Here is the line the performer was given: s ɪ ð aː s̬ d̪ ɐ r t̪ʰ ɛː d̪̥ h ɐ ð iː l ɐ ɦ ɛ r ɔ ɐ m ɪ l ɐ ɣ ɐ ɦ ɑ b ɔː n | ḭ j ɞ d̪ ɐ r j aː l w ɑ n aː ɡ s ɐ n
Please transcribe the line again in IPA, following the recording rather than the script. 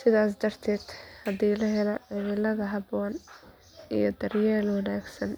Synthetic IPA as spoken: s ɪ ð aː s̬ d̪ ɐ r t̪ʰ ɛː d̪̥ h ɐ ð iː l ɐ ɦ ɛ l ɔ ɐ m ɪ l ɐ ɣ ɐ ɦ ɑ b ɔː n | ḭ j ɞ d̪ ɐ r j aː l w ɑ n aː ɡ s ɐ n